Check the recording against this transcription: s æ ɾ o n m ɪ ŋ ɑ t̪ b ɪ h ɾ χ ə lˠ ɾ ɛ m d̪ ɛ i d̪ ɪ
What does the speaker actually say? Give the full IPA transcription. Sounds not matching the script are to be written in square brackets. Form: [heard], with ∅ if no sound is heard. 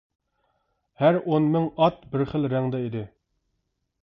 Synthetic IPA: [h] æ ɾ o n m ɪ ŋ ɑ t̪ b ɪ [∅] ɾ χ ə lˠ ɾ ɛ [ŋ] d̪ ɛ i d̪ ɪ